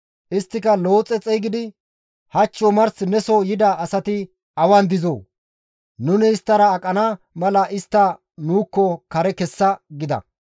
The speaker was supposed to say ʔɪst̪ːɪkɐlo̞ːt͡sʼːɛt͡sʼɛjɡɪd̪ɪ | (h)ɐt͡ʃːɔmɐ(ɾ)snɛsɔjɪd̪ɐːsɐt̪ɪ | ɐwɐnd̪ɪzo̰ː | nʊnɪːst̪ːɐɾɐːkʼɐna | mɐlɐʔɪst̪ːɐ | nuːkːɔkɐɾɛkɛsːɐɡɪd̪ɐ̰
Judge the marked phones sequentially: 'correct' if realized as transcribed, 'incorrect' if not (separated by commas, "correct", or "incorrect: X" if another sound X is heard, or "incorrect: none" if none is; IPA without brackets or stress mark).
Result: correct, correct